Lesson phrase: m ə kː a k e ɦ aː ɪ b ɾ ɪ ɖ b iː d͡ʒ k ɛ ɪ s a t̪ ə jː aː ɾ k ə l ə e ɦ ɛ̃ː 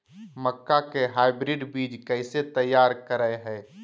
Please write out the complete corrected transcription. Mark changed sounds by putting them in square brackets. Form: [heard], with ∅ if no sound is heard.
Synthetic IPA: m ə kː a k e ɦ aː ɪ b ɾ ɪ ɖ b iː d͡ʒ k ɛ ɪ s [e] t̪ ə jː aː ɾ k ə [ɾ] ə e ɦ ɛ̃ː